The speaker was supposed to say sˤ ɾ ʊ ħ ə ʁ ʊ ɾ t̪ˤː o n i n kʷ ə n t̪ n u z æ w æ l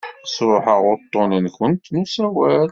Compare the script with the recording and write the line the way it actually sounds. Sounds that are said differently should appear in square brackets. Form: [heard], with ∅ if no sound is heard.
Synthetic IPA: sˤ ɾ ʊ ħ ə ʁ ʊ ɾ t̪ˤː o n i n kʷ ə n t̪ n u [s] æ w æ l